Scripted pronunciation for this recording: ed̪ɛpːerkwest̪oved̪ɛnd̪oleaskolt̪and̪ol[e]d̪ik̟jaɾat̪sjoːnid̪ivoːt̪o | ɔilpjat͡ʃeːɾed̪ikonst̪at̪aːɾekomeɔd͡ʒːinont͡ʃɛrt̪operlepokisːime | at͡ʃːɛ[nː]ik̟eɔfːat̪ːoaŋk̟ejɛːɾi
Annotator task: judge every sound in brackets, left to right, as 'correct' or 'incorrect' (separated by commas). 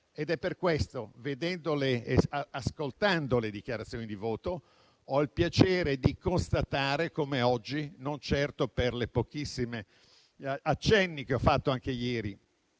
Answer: correct, correct